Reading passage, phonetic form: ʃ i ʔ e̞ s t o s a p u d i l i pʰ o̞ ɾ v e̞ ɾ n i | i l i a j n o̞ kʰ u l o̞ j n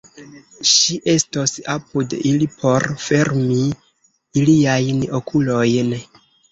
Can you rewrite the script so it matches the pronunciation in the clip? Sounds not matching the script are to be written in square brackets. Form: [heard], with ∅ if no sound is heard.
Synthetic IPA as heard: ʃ i ʔ e̞ s t o s a p u d i l i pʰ o̞ ɾ [f] e̞ ɾ [m] i | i l i a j n o̞ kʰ u l o̞ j n

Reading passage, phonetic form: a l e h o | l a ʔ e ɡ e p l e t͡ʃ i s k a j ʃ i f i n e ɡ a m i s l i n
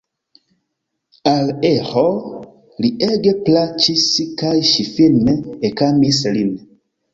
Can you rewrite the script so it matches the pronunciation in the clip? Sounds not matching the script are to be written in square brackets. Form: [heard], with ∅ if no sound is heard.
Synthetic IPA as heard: a l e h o | l [i] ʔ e ɡ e p l [a] t͡ʃ i s k a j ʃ i f i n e [k] a m i s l i n

